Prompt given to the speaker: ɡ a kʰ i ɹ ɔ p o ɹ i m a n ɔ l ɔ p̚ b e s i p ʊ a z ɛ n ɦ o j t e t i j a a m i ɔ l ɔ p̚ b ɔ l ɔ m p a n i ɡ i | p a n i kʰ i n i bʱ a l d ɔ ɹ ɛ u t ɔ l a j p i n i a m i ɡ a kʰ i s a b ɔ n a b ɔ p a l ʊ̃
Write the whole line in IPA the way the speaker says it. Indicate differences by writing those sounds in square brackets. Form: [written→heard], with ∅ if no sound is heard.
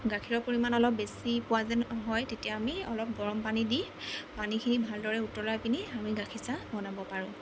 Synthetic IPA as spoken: ɡ a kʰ i ɹ ɔ p o ɹ i m a n ɔ l ɔ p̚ b e s i p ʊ a z ɛ n ɦ [o→ɔ] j t e t i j a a m i ɔ l ɔ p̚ [b→ɡ] ɔ [l→ɹ] ɔ m p a n i [ɡ→d] i | p a n i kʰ i n i bʱ a l d ɔ ɹ ɛ u t ɔ l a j p i n i a m i ɡ a kʰ i s a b ɔ n a b ɔ p a [l→ɹ] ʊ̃